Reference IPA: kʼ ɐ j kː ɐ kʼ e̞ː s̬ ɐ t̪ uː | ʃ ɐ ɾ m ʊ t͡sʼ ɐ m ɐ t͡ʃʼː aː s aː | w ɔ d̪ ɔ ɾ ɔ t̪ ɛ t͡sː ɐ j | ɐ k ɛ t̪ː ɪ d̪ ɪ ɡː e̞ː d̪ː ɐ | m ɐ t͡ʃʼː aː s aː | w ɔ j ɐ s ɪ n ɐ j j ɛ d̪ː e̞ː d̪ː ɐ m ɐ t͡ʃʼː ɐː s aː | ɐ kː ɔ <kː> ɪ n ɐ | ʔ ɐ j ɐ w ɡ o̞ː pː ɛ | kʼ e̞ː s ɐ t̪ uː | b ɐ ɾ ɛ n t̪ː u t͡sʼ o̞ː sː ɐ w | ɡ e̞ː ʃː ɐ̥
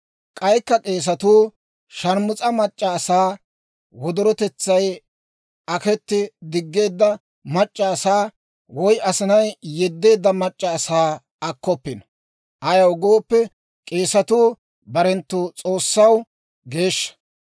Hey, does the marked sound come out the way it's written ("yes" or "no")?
no